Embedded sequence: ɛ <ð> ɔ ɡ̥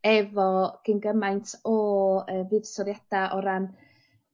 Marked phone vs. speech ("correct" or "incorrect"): incorrect